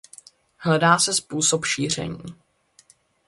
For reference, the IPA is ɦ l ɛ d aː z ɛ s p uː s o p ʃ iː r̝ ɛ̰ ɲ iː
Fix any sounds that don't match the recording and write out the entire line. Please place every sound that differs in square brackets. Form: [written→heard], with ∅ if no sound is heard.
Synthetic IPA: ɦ l ɛ d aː [z→s] ɛ s p uː s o p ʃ iː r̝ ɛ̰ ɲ iː